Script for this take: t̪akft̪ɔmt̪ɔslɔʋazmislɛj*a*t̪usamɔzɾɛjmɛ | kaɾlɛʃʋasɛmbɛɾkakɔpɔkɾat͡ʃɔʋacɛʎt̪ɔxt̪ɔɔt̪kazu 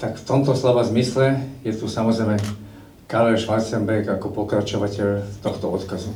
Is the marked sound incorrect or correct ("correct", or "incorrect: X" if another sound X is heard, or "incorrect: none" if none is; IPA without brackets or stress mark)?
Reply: incorrect: ɛ